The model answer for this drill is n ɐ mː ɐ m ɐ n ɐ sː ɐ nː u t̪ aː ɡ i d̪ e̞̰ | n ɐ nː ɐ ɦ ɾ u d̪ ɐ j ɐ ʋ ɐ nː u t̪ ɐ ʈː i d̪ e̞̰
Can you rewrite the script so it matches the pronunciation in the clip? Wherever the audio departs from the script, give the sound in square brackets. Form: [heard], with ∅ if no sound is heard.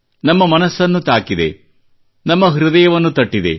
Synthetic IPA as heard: n ɐ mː ɐ m ɐ n ɐ sː ɐ nː u t̪ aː [k] i d̪ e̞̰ | n ɐ [mː] ɐ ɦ ɾ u d̪ ɐ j ɐ ʋ ɐ nː u t̪ ɐ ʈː i d̪ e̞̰